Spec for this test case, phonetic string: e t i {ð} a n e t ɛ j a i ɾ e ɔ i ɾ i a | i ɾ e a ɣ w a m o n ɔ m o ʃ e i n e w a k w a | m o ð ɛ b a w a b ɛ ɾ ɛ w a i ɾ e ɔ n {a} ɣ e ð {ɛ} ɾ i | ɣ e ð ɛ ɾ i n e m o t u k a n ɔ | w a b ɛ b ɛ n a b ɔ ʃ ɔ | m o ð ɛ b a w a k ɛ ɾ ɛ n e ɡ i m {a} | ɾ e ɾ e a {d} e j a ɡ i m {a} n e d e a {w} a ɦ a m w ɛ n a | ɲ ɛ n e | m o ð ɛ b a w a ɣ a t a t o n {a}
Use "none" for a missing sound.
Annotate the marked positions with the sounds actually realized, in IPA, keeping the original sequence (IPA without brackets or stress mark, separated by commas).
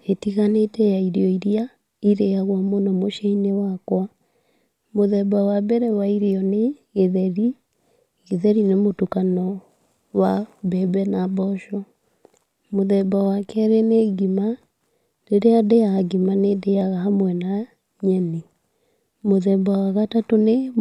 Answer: ɣ, e, ɛ, a, d, a, ɣ, e